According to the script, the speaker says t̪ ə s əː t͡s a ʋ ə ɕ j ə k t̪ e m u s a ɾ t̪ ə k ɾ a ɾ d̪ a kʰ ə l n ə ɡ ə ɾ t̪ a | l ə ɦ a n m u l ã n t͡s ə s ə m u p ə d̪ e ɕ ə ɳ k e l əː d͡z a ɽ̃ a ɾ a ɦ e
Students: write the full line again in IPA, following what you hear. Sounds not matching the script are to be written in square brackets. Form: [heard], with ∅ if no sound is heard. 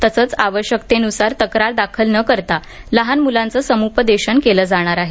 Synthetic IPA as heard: t̪ ə s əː t͡s a ʋ ə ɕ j ə k t̪ e [n] u s a ɾ t̪ ə k ɾ a ɾ d̪ a kʰ ə l n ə [k] ə ɾ t̪ a | l ə ɦ a n m u l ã n t͡s ə s ə m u p ə d̪ e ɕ ə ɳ k e l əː d͡z a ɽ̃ a ɾ a ɦ e

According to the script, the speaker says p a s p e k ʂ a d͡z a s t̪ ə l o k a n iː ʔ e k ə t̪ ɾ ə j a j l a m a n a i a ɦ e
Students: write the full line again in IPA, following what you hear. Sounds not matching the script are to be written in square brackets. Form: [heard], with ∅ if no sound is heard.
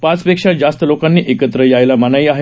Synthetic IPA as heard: p a [t͡s] p e k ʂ a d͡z a s t̪ ə l o k a [nː] iː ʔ e k ə t̪ ɾ ə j a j l a m a n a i a ɦ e

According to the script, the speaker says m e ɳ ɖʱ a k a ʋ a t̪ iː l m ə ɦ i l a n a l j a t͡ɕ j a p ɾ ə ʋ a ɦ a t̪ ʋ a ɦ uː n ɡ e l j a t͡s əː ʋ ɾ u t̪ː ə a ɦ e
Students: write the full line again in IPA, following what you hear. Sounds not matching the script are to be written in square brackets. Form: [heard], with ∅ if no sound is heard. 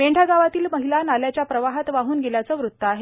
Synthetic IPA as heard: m e ɳ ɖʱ a [ɡ] a ʋ a t̪ iː l m ə ɦ i l a n a l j a t͡ɕ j a p ɾ ə ʋ a ɦ a t̪ ʋ a ɦ uː n ɡ e l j a t͡s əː ʋ ɾ u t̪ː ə a ɦ e

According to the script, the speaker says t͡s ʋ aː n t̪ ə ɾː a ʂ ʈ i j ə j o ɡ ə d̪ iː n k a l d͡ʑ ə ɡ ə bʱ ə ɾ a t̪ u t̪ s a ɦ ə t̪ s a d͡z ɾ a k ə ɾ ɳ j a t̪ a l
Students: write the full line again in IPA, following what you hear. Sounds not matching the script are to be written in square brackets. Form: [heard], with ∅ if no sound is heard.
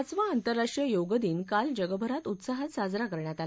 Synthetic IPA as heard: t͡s ʋ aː n t̪ ə ɾː a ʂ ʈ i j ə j o ɡ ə d̪ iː n k a l d͡ʑ ə ɡ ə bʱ ə ɾ a t̪ u t̪ s a ɦ ə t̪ s a d͡z ɾ a k ə ɾ ɳ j a t̪ a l

